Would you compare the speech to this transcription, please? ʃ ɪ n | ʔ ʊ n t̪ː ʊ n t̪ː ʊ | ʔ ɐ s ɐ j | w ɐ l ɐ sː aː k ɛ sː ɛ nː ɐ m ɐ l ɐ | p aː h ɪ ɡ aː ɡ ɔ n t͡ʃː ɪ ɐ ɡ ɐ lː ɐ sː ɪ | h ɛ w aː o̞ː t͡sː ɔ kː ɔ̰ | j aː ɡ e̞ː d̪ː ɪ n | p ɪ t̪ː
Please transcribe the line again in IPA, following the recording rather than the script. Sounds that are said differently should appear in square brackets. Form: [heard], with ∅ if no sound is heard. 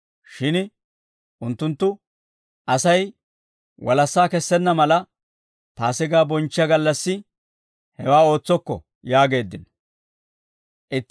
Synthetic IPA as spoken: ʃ ɪ n | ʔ ʊ n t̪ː ʊ n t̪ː ʊ | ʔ ɐ s ɐ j | w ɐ l ɐ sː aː k ɛ sː ɛ nː ɐ m ɐ l ɐ | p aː [s] ɪ ɡ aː [b] ɔ n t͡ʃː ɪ ɐ ɡ ɐ lː ɐ sː ɪ | h ɛ w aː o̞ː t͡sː ɔ kː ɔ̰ | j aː ɡ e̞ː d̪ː ɪ n | [ʔ] ɪ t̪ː